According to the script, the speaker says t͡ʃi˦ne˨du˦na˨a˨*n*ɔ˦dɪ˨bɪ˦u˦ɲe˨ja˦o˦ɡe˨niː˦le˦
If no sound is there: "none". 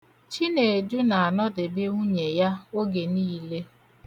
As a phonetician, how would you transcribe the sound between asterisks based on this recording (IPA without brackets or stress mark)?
n